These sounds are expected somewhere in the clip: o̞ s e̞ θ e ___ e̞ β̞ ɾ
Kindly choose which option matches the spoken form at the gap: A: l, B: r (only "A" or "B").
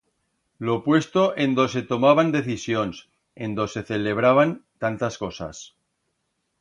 A